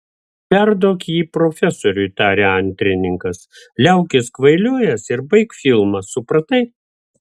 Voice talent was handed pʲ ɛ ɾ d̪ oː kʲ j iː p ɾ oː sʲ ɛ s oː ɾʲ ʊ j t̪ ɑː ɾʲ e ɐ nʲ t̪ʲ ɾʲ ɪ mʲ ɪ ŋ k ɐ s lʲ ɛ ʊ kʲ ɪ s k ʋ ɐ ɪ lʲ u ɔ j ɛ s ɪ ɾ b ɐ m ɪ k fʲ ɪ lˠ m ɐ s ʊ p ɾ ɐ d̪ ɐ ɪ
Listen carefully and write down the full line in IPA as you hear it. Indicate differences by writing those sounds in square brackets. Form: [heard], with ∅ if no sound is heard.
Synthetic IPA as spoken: pʲ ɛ ɾ d̪ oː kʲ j iː p ɾ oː [fʲ] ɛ s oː ɾʲ ʊ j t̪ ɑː ɾʲ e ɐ nʲ t̪ʲ ɾʲ ɪ [nʲ] ɪ ŋ k ɐ s lʲ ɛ ʊ kʲ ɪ s k ʋ ɐ ɪ lʲ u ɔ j ɛ s ɪ ɾ b ɐ [∅] ɪ k fʲ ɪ lˠ m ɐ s ʊ p ɾ ɐ [t̪] ɐ ɪ

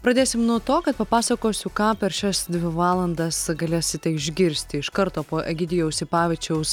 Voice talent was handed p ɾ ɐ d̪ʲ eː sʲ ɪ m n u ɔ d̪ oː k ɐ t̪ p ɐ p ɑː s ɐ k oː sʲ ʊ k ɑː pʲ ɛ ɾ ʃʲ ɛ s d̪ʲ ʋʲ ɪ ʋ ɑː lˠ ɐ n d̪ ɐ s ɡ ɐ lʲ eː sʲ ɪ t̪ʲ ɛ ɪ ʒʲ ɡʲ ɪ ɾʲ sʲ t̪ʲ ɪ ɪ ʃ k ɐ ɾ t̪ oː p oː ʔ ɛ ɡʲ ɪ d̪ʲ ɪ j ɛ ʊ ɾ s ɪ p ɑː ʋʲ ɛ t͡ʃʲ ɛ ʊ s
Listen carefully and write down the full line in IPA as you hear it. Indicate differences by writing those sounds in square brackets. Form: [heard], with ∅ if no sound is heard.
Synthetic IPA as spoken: p ɾ ɐ d̪ʲ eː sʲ ɪ m n u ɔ [t̪] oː k ɐ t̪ p ɐ p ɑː s ɐ k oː sʲ ʊ k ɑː pʲ ɛ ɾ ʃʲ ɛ s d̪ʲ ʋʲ ɪ ʋ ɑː lˠ ɐ n d̪ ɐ s ɡ ɐ lʲ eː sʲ ɪ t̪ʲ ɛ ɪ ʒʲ ɡʲ ɪ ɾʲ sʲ t̪ʲ ɪ ɪ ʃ k ɐ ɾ t̪ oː p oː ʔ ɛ ɡʲ ɪ d̪ʲ ɪ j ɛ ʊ [∅] s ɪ p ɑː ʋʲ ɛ t͡ʃʲ ɛ ʊ s

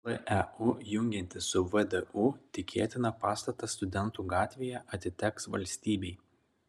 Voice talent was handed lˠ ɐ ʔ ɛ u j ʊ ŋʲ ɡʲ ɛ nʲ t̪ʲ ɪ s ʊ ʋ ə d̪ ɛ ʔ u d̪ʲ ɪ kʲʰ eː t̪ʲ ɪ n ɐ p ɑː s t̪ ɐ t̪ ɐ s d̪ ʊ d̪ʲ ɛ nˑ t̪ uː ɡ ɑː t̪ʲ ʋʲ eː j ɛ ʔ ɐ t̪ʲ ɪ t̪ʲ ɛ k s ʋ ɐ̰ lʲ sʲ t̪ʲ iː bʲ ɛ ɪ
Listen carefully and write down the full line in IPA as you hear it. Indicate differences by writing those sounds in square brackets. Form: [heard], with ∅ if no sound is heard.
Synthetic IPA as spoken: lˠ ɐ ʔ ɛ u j ʊ ŋʲ ɡʲ ɛ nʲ t̪ʲ ɪ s ʊ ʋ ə d̪ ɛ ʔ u [t̪ʲ] ɪ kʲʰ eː t̪ʲ ɪ n ɐ p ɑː s t̪ ɐ t̪ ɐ s [t̪] ʊ d̪ʲ ɛ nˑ t̪ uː ɡ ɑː t̪ʲ ʋʲ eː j ɛ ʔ ɐ t̪ʲ ɪ t̪ʲ ɛ k s ʋ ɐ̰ lʲ sʲ t̪ʲ iː bʲ ɛ ɪ

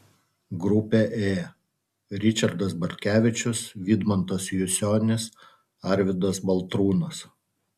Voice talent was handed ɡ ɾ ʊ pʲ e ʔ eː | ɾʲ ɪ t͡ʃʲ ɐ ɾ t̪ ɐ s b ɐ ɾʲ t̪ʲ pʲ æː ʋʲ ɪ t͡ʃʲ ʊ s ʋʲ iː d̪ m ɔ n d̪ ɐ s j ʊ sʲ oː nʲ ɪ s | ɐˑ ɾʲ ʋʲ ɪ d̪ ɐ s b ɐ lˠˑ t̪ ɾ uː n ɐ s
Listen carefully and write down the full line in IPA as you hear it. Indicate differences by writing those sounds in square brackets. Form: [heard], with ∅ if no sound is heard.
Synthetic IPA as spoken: ɡ ɾ ʊ pʲ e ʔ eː | ɾʲ ɪ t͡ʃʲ ɐ ɾ [d̪] ɐ s b ɐ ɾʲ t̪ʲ [kʲ] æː ʋʲ ɪ t͡ʃʲ ʊ s ʋʲ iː d̪ m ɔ n [t̪] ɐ s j ʊ sʲ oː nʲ ɪ s | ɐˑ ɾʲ ʋʲ ɪ d̪ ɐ s b ɐ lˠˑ t̪ ɾ uː n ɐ s

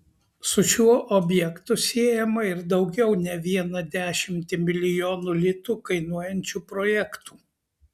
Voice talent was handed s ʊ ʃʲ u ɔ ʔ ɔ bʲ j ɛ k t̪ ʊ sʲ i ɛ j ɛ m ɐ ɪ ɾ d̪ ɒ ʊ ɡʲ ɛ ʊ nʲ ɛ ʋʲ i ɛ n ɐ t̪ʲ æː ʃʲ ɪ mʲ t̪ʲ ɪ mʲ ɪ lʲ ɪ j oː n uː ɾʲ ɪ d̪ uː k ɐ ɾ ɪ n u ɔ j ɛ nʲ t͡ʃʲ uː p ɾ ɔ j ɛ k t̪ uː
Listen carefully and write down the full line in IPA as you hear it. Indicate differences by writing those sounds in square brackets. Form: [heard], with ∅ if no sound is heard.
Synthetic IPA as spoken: s ʊ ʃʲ u ɔ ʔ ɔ bʲ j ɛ k t̪ ʊ sʲ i ɛ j ɛ m ɐ ɪ ɾ d̪ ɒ ʊ ɡʲ ɛ ʊ nʲ ɛ ʋʲ i ɛ n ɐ [d̪ʲ] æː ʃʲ ɪ mʲ t̪ʲ ɪ mʲ ɪ lʲ ɪ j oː n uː [lʲ] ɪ [t̪] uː k ɐ [∅] ɪ n u ɔ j ɛ nʲ t͡ʃʲ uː p ɾ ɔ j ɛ k t̪ uː

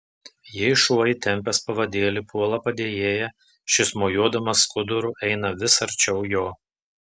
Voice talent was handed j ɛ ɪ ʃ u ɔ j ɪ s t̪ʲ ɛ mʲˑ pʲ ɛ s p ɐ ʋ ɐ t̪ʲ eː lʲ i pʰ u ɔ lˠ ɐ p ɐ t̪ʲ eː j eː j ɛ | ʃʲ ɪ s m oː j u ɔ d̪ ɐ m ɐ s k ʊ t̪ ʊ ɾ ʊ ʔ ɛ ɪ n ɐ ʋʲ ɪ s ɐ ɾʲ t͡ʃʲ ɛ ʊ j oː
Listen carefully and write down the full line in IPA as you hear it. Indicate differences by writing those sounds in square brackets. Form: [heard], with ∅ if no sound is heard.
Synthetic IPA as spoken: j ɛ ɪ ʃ u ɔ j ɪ [∅] t̪ʲ ɛ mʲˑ pʲ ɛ s p ɐ ʋ ɐ [d̪ʲ] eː lʲ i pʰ u ɔ lˠ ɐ p ɐ [d̪ʲ] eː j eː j ɛ | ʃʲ ɪ s m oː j u ɔ d̪ ɐ m ɐ s k ʊ [d̪] ʊ ɾ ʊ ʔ ɛ ɪ n ɐ ʋʲ ɪ s ɐ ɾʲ t͡ʃʲ ɛ ʊ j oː

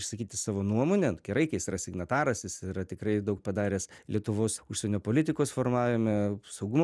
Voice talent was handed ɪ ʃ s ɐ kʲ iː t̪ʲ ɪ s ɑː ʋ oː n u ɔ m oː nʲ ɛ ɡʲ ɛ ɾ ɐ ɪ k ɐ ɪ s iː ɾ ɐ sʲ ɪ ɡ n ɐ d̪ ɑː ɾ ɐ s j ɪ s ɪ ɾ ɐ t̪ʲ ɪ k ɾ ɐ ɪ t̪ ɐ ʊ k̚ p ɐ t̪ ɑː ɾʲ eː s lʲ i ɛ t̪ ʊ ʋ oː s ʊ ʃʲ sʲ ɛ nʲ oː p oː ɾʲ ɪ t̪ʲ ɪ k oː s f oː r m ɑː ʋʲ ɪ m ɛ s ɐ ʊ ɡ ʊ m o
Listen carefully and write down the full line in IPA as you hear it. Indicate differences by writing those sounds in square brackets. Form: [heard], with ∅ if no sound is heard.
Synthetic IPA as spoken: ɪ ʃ s ɐ kʲ iː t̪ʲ ɪ s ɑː ʋ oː n u ɔ m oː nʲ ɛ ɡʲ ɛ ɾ ɐ ɪ k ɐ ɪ s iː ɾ ɐ sʲ ɪ ɡ n ɐ [t̪] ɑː ɾ ɐ s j ɪ s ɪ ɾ ɐ t̪ʲ ɪ k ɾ ɐ ɪ [d̪] ɐ ʊ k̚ p ɐ [d̪] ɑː ɾʲ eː s lʲ i ɛ t̪ ʊ ʋ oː s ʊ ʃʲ sʲ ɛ nʲ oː p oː [lʲ] ɪ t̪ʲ ɪ k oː s f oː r m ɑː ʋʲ ɪ m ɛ s ɐ ʊ ɡ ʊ m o

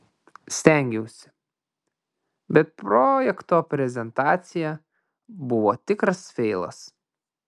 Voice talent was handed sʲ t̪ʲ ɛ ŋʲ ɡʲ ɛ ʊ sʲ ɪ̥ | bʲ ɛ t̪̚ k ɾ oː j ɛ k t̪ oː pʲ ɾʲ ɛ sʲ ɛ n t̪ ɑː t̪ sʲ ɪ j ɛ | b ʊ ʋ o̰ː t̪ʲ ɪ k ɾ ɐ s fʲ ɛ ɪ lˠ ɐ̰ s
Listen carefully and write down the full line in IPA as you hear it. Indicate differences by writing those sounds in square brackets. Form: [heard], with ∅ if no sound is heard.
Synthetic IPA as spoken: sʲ t̪ʲ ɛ ŋʲ ɡʲ ɛ ʊ sʲ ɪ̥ | bʲ ɛ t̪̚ [p] ɾ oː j ɛ k t̪ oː pʲ ɾʲ ɛ [zʲ] ɛ n t̪ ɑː t̪ sʲ ɪ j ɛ | b ʊ ʋ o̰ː t̪ʲ ɪ k ɾ ɐ s fʲ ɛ ɪ lˠ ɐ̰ s

